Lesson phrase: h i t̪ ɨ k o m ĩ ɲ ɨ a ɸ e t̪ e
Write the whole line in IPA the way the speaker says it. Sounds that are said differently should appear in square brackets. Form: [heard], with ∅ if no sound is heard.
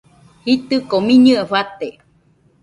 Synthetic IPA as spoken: h i t̪ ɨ k o m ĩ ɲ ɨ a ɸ [a] t̪ e